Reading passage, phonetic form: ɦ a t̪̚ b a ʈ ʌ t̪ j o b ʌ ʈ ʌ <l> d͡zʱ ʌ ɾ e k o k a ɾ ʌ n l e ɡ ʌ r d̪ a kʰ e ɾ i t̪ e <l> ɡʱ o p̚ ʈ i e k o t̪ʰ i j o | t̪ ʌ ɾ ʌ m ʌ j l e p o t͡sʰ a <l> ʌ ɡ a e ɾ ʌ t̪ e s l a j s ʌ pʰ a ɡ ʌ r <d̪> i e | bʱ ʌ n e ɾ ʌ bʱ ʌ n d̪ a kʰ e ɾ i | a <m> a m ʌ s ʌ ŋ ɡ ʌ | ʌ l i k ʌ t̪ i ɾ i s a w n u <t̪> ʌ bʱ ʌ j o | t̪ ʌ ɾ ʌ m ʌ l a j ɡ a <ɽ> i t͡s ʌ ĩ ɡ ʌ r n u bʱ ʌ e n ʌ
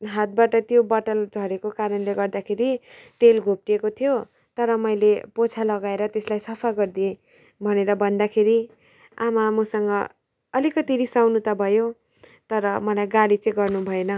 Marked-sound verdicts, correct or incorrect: correct, correct, correct, correct, correct, correct, incorrect: l

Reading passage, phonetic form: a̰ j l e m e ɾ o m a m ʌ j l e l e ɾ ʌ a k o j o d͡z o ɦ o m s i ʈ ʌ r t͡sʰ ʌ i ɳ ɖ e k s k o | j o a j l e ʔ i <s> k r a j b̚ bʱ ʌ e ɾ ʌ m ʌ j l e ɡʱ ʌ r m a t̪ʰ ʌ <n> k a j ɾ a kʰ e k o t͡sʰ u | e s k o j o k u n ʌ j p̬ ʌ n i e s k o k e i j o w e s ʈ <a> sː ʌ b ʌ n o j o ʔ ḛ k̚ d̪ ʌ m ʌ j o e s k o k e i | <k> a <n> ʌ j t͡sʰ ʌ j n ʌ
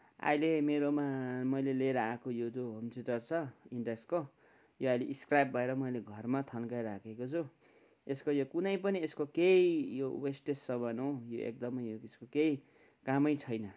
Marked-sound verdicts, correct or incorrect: correct, correct, incorrect: e, correct, incorrect: m

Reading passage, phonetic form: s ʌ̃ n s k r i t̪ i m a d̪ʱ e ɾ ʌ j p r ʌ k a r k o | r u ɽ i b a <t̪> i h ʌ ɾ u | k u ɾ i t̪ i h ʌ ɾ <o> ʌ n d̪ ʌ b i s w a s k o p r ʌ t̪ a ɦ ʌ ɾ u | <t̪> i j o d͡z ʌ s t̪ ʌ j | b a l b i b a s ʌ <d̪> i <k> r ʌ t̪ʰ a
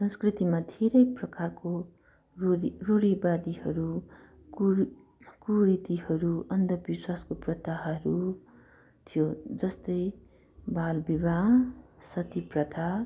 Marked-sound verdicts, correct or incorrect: incorrect: d̪, incorrect: u, incorrect: t̪ʰ, incorrect: t̪, incorrect: p

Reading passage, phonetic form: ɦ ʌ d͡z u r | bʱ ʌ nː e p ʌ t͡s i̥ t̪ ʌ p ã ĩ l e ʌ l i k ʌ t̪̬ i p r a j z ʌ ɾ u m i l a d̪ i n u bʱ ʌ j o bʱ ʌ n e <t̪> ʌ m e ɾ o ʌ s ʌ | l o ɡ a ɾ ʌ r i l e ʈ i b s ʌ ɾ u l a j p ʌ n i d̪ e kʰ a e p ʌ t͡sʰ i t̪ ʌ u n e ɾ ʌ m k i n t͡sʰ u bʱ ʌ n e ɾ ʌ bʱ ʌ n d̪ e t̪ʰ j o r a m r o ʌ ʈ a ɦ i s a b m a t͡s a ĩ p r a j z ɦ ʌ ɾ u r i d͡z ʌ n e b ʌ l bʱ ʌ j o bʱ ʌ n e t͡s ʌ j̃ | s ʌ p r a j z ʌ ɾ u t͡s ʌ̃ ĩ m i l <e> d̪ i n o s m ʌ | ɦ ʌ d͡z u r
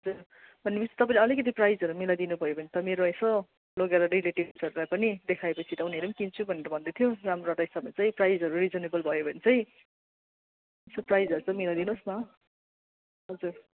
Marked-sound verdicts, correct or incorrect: correct, incorrect: a

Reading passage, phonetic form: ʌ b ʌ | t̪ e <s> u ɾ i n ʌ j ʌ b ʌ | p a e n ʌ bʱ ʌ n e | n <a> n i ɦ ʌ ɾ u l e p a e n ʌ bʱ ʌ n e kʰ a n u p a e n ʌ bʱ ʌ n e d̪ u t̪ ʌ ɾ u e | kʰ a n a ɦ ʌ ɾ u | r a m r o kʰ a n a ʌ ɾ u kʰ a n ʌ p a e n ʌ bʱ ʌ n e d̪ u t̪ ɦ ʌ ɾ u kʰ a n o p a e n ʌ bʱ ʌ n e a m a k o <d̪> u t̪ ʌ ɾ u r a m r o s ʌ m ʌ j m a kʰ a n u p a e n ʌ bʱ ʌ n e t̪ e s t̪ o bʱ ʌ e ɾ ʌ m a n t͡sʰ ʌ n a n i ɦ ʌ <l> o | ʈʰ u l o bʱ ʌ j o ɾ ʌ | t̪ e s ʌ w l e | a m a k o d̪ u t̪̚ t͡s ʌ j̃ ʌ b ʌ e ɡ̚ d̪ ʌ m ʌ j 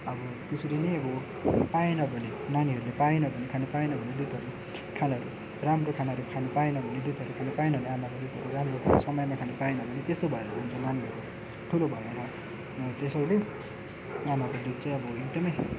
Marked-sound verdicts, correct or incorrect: correct, correct, correct, incorrect: ɾ

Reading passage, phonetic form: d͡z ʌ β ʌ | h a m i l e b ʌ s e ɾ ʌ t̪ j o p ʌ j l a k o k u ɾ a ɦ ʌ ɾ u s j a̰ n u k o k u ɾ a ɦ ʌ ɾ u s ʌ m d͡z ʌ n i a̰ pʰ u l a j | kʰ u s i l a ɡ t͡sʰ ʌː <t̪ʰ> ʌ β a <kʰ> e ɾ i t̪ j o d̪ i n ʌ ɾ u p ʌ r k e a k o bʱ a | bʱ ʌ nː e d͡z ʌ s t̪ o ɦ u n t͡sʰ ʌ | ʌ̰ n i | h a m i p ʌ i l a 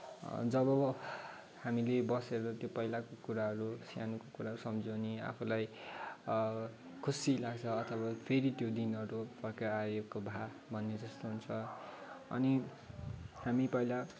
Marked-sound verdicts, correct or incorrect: correct, incorrect: pʰ

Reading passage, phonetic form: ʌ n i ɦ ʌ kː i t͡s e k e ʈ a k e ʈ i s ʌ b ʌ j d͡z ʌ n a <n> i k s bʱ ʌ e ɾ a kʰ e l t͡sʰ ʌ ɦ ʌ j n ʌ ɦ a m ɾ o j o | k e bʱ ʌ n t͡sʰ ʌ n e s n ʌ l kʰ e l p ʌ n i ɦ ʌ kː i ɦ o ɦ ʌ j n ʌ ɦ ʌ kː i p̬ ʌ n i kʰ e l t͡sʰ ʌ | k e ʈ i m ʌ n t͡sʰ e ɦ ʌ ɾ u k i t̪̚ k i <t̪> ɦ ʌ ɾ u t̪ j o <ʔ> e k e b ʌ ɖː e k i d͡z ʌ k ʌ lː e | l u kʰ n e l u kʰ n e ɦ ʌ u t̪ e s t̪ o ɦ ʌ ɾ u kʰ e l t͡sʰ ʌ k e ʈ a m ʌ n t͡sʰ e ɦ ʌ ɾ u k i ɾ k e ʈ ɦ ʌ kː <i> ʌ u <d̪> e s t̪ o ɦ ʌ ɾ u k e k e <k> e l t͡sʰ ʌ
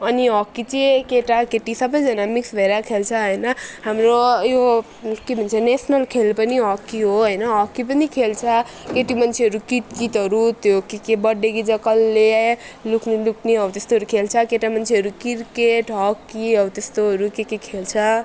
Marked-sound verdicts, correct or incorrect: incorrect: m, correct, incorrect: k, correct, incorrect: t̪, incorrect: kʰ

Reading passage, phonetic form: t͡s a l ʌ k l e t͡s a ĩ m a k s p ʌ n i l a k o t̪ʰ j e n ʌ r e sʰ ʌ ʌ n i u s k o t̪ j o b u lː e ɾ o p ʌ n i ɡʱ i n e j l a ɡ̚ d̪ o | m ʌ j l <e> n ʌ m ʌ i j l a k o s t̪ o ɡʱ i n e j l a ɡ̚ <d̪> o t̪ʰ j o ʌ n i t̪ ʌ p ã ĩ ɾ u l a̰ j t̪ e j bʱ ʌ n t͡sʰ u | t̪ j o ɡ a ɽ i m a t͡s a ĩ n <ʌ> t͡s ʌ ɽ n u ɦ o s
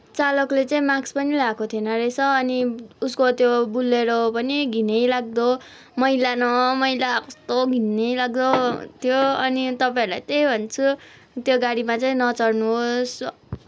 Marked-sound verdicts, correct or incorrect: incorrect: a, correct, correct

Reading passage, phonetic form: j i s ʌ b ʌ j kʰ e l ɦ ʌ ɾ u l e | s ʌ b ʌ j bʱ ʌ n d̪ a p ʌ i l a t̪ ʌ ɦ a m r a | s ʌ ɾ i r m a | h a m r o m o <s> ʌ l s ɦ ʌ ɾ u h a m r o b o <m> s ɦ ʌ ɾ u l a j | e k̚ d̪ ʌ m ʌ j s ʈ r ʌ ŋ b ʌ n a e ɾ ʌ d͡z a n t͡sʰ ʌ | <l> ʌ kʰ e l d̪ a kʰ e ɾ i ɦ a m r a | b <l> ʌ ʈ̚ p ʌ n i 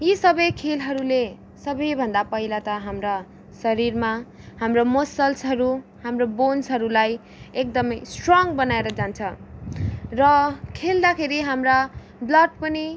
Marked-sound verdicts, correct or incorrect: correct, incorrect: n, incorrect: r, correct

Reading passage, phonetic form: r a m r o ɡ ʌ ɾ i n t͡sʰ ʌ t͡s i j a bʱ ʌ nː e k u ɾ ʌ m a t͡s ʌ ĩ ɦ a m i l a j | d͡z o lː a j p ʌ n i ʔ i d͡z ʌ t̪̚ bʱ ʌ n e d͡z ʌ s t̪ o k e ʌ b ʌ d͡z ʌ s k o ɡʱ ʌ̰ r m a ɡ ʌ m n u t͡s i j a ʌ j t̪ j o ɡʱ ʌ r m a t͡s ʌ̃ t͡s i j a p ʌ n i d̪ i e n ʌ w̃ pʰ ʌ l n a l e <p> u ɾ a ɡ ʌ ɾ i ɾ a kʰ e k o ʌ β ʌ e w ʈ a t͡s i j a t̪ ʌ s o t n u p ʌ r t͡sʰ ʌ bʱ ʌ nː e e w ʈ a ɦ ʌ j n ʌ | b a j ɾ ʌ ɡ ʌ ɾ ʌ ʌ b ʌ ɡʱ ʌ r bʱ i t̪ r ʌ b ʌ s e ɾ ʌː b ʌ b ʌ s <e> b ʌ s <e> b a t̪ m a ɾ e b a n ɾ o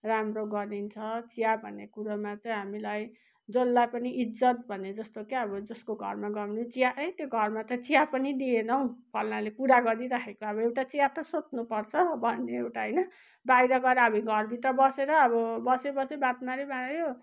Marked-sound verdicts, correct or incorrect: incorrect: k, correct, correct

